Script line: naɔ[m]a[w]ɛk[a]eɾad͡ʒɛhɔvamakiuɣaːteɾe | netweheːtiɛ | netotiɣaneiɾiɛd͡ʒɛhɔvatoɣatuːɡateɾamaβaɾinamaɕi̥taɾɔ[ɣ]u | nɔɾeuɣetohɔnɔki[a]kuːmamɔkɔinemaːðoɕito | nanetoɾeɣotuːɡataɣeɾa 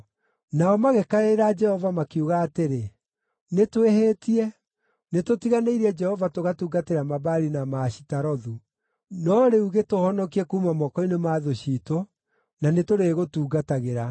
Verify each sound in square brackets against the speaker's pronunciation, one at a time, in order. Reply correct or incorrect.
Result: correct, incorrect, correct, incorrect, incorrect

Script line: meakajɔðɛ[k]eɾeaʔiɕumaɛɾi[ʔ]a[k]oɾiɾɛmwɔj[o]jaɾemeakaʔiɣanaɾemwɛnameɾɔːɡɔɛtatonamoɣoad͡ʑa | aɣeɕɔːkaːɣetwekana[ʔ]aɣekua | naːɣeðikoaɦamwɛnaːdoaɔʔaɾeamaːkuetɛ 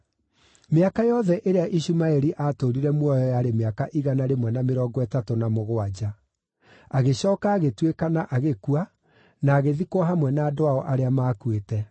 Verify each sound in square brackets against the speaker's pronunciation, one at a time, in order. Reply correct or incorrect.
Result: incorrect, correct, incorrect, incorrect, correct

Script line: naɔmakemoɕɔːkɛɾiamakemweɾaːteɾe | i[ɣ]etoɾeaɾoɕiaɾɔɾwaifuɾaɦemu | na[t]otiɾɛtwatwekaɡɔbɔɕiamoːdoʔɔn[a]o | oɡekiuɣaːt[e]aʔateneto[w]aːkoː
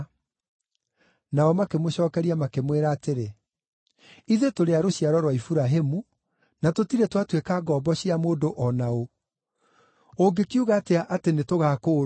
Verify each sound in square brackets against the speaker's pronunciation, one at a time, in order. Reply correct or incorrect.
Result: incorrect, correct, correct, correct, incorrect

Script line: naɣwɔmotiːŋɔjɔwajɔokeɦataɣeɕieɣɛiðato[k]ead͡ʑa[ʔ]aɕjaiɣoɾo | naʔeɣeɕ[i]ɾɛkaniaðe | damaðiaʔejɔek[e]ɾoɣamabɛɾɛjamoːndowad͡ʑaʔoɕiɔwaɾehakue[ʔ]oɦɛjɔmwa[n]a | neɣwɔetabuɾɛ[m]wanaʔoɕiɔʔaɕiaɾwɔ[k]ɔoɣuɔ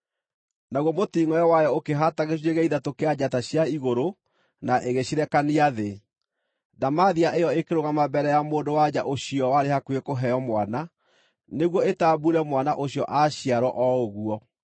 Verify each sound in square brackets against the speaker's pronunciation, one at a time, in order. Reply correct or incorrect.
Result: correct, incorrect, correct, correct, incorrect, correct, correct, incorrect

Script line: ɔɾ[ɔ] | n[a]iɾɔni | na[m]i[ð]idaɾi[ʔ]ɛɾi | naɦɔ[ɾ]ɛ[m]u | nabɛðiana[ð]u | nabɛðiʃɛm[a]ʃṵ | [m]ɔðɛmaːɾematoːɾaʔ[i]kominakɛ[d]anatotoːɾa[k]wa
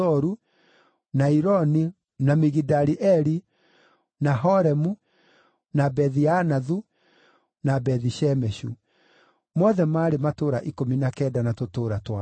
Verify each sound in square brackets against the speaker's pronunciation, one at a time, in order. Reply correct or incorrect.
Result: incorrect, correct, correct, incorrect, correct, correct, correct, correct, incorrect, correct, correct, correct, incorrect

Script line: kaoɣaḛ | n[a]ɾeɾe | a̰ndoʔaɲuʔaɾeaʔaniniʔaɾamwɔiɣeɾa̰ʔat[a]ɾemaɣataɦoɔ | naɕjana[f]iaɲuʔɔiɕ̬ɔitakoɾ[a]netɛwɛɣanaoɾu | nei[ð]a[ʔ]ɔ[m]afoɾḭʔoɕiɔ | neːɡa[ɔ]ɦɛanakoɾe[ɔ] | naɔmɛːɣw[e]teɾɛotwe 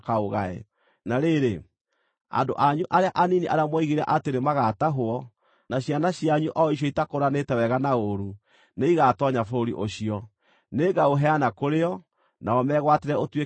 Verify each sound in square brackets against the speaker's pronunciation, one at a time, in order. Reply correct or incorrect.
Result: correct, incorrect, incorrect, correct, incorrect, incorrect, incorrect, incorrect, correct, incorrect

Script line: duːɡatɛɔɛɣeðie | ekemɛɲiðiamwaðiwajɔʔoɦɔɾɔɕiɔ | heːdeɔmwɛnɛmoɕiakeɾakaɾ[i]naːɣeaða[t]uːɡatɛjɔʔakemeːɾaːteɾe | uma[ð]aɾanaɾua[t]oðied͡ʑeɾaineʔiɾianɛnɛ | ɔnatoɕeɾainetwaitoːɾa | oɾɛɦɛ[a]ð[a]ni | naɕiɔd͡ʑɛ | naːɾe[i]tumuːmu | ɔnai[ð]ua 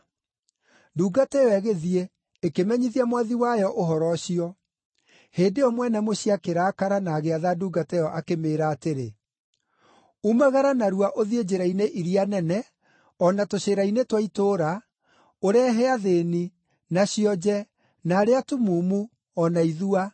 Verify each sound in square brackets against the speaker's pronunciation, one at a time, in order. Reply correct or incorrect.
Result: incorrect, incorrect, incorrect, incorrect, correct, incorrect, incorrect, correct

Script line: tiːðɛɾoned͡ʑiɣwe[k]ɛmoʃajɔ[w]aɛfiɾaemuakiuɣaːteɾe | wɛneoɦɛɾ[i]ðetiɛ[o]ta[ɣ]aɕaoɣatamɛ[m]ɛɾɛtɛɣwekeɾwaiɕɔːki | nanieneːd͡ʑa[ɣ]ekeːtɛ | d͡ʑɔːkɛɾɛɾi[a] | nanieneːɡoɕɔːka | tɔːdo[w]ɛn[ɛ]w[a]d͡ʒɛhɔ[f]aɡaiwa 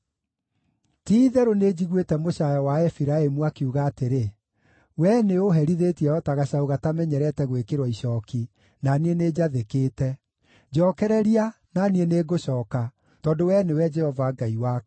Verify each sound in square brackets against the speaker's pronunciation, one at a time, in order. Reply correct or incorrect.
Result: incorrect, correct, correct, incorrect, correct, incorrect, incorrect, correct, correct, incorrect, incorrect, incorrect

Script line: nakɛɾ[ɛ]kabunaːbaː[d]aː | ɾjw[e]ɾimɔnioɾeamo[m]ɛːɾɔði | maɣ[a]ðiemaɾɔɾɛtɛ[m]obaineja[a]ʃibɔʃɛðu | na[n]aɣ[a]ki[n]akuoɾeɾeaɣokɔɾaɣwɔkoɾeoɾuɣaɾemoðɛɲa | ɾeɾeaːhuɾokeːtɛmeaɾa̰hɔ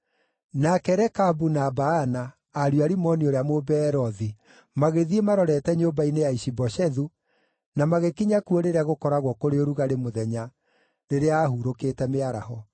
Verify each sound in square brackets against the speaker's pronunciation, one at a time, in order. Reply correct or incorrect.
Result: correct, incorrect, incorrect, incorrect, incorrect, incorrect, incorrect, incorrect, incorrect, incorrect

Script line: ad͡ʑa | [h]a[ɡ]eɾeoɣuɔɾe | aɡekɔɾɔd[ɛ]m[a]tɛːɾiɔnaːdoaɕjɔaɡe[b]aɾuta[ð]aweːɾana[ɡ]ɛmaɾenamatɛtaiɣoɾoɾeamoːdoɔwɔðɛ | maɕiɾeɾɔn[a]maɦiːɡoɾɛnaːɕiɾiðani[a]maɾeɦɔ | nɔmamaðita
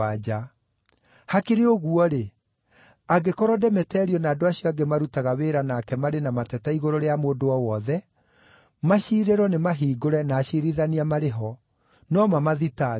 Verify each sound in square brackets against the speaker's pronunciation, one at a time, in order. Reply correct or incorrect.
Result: correct, incorrect, correct, incorrect, incorrect, incorrect, incorrect, incorrect, correct

